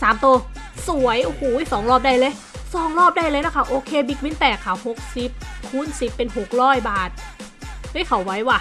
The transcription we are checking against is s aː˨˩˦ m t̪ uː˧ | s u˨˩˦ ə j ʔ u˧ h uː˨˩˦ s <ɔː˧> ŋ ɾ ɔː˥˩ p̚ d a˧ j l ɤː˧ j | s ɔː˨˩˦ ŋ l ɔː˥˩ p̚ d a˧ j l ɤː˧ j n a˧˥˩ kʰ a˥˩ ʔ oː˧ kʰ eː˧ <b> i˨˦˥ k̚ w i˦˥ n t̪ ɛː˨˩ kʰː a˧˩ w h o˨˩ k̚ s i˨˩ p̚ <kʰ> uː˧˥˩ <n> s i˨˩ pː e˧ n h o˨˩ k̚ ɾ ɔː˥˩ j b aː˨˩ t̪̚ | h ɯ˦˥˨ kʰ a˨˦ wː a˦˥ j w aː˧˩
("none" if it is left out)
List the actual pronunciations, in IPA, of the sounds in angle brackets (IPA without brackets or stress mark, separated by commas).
ɔː˩˦, b, kʰ, n